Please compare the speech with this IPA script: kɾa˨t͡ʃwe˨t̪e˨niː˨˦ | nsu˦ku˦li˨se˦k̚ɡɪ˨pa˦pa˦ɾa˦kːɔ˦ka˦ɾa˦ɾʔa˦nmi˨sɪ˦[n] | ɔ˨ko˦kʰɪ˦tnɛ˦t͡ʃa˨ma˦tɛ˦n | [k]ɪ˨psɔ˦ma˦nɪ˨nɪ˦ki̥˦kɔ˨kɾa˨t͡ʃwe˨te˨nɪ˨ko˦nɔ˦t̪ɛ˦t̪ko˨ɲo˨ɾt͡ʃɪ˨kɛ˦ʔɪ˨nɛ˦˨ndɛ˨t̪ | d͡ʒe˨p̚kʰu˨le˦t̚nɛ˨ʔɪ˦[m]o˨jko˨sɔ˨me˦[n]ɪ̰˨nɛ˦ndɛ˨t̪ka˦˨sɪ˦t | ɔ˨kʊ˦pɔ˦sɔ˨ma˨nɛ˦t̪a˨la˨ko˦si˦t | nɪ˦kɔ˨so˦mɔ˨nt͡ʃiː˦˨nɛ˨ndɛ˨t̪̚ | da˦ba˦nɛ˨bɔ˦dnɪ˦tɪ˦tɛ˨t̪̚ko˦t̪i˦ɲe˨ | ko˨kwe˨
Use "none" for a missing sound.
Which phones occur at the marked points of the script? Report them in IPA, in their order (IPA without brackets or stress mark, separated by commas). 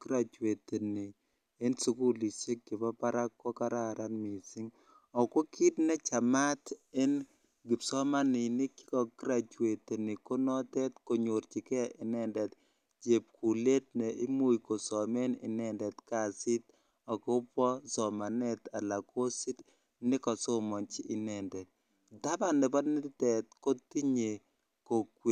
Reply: ŋ, ɡ, m, n